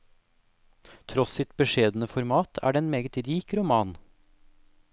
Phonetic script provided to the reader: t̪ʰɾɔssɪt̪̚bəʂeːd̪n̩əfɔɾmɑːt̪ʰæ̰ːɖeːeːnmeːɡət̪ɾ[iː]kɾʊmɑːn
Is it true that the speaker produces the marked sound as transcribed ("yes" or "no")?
yes